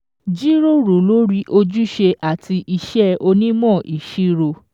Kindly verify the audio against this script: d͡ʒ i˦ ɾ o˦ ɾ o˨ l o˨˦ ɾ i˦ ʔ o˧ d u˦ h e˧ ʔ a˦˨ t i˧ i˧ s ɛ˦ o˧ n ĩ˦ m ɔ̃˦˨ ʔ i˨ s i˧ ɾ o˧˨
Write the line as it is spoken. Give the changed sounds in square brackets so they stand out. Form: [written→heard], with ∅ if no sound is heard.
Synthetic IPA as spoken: d͡ʒ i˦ ɾ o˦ ɾ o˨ l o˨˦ ɾ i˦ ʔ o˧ [d→d͡ʒ] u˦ [h→ʃ] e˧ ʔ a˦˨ t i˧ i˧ [s→ʃ] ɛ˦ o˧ n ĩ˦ m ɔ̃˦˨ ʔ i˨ [s→ʃ] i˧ ɾ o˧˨